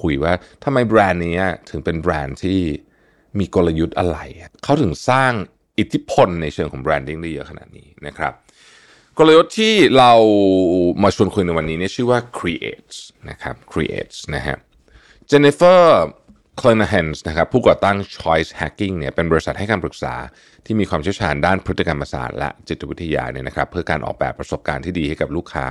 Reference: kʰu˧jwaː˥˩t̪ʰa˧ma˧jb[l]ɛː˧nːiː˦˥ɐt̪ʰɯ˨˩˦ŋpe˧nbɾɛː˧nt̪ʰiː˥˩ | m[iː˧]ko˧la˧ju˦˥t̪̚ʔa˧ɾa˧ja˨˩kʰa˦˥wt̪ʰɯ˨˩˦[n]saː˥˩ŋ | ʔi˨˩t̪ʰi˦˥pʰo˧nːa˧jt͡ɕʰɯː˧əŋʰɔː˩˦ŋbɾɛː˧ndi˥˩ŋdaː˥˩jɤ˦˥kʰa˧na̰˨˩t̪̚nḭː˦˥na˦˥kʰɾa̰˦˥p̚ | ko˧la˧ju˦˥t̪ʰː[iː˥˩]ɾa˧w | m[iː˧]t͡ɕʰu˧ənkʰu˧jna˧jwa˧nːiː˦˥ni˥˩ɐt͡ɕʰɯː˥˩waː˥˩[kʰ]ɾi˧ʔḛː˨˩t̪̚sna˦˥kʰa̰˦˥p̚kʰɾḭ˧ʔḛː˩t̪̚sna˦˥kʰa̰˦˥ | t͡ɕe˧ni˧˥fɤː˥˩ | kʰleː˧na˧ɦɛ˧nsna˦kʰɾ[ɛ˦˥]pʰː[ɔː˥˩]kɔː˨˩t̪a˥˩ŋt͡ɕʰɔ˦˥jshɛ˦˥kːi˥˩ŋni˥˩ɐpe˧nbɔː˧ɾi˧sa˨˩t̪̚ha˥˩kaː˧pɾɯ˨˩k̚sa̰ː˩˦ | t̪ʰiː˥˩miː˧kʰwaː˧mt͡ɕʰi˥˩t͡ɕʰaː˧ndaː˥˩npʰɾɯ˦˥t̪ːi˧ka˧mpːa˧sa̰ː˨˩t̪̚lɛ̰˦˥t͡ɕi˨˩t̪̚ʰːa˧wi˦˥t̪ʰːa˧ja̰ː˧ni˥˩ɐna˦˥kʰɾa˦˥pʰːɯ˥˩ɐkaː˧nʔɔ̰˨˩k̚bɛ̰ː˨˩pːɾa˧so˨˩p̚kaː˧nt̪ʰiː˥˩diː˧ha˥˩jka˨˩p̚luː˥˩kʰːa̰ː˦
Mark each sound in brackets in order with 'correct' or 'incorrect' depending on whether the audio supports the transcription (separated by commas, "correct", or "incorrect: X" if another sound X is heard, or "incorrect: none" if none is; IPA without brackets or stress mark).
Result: incorrect: ɾ, correct, incorrect: ŋ, correct, incorrect: aː˧, correct, incorrect: a˦˥, incorrect: uː˥˩